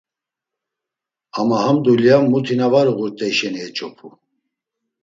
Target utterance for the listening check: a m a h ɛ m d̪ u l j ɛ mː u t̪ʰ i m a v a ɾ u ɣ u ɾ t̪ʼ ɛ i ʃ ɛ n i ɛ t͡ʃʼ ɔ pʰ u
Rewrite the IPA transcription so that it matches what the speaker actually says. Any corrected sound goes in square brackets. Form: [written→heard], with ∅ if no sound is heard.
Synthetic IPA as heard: a m a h [ɛ→a] m d̪ u l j [ɛ→a] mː u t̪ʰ i [m→n] a v a ɾ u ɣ u ɾ t̪ʼ ɛ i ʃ ɛ n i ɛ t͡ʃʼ ɔ pʰ u